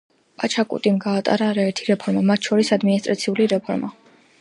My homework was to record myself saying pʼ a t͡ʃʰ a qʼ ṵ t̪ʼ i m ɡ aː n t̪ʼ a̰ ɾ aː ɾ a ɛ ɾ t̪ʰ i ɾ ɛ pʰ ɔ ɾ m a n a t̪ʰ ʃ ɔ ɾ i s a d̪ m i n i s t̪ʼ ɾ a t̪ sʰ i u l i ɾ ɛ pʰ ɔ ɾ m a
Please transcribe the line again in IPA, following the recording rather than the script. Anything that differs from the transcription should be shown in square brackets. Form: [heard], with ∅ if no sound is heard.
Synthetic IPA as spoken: pʼ a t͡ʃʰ a [kʼ] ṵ t̪ʼ i m ɡ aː [∅] t̪ʼ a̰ ɾ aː ɾ a ɛ ɾ t̪ʰ i ɾ ɛ pʰ ɔ ɾ m a [m] a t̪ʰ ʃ ɔ ɾ i s a d̪ m i n i s t̪ʼ ɾ a t̪ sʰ i u l i ɾ ɛ pʰ ɔ ɾ m a

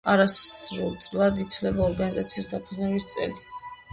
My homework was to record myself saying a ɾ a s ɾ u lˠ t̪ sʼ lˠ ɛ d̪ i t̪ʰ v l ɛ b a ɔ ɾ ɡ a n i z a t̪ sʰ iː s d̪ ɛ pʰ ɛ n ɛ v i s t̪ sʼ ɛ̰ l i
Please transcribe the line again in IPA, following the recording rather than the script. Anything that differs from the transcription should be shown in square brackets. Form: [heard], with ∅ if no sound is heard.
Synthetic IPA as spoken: a ɾ a s ɾ u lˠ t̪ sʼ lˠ [a] d̪ i t̪ʰ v l ɛ b a ɔ ɾ ɡ a n i z a t̪ sʰ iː s d̪ [a] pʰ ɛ n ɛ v i s t̪ sʼ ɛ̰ l i

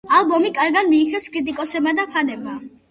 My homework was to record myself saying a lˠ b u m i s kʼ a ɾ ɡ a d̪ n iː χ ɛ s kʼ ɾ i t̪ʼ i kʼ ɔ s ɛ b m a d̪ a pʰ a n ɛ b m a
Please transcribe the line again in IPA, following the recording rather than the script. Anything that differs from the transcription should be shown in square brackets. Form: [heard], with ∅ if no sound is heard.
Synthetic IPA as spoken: a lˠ b [ɔ] m i [∅] kʼ a ɾ ɡ a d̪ [m] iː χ ɛ s kʼ ɾ i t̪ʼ i kʼ ɔ s ɛ b m a d̪ a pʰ a n ɛ b m a

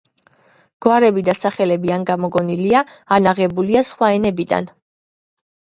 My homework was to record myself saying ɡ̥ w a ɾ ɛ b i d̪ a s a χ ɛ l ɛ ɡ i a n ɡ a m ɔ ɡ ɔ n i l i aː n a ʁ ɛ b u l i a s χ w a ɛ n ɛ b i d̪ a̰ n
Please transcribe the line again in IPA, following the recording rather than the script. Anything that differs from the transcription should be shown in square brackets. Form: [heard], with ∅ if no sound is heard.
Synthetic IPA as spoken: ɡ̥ w a ɾ ɛ b i d̪ a s a χ ɛ l ɛ [b] i a n ɡ a m ɔ ɡ ɔ n i l i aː n a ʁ ɛ b u l i a s χ w a ɛ n ɛ b i d̪ a̰ n

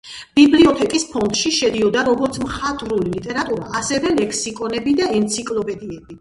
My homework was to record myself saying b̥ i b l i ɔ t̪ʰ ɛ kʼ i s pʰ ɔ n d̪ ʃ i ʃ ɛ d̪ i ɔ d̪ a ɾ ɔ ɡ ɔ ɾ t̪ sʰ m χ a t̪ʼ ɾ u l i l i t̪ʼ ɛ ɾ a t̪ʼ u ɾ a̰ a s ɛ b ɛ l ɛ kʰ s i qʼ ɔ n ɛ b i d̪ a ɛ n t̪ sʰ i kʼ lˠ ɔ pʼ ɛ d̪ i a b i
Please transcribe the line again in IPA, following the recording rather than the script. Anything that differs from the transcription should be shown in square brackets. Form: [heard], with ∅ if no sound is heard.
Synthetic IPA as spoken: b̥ i b l i ɔ t̪ʰ ɛ kʼ i s pʰ ɔ n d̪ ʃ i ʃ ɛ d̪ i ɔ d̪ a ɾ ɔ ɡ ɔ ɾ t̪ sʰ m χ a t̪ʼ ɾ u l i l i t̪ʼ ɛ ɾ a t̪ʼ u ɾ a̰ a s ɛ [v] ɛ l ɛ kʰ s i [kʼ] ɔ n ɛ b i d̪ a ɛ n t̪ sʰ i kʼ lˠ ɔ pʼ ɛ d̪ i [ɛ] b i

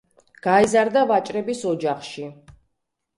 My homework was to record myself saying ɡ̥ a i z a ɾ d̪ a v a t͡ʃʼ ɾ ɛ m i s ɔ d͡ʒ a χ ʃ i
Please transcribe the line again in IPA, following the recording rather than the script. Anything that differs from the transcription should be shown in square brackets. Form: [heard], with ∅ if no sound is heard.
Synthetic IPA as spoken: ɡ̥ a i z a ɾ d̪ a v a t͡ʃʼ ɾ ɛ [b] i s ɔ d͡ʒ a χ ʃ i

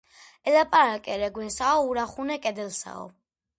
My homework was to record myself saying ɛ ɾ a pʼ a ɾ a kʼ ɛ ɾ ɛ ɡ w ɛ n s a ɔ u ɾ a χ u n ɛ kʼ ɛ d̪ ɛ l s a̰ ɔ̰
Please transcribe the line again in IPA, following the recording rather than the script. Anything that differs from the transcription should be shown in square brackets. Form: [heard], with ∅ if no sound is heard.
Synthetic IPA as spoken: ɛ [l] a pʼ a ɾ a kʼ ɛ ɾ ɛ ɡ w ɛ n s a ɔ u ɾ a χ u n ɛ kʼ ɛ d̪ ɛ l s a̰ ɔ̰

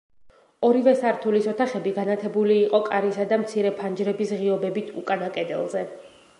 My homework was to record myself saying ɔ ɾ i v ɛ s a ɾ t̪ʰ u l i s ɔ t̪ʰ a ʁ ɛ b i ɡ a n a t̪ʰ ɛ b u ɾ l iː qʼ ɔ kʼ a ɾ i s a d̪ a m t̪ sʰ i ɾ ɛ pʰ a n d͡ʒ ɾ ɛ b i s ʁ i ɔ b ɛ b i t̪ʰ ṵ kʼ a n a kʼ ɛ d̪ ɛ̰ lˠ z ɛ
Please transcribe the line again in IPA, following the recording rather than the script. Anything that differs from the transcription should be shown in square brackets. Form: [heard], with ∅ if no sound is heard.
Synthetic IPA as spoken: ɔ ɾ i v ɛ s a ɾ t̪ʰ u l i s ɔ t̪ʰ a [χ] ɛ b i ɡ a n a t̪ʰ ɛ b u [∅] l iː qʼ ɔ kʼ a ɾ i s a d̪ a m t̪ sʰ i ɾ ɛ pʰ a n d͡ʒ ɾ ɛ b i s ʁ i ɔ b ɛ b i t̪ʰ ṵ kʼ a n a kʼ ɛ d̪ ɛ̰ lˠ z ɛ

